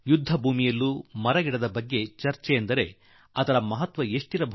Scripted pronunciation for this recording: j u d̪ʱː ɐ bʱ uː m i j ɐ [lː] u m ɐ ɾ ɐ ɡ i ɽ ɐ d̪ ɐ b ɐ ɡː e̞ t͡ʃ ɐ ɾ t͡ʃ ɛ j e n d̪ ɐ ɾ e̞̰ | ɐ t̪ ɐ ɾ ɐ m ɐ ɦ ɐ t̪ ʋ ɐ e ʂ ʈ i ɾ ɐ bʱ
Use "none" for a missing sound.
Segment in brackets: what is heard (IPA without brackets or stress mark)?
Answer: lː